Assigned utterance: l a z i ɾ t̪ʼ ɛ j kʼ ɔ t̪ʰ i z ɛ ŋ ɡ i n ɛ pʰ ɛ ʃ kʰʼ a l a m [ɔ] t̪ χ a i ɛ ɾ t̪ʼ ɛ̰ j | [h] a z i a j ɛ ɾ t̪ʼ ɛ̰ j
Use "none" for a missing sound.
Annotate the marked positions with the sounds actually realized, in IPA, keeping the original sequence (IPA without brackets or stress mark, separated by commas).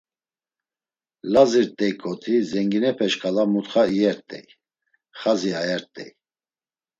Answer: u, χ